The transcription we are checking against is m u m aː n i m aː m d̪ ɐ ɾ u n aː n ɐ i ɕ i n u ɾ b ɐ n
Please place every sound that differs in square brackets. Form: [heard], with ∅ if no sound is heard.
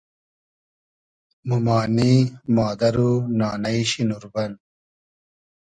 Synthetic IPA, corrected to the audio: m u m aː n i m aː [∅] d̪ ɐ ɾ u n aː n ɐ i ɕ i n u ɾ b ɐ n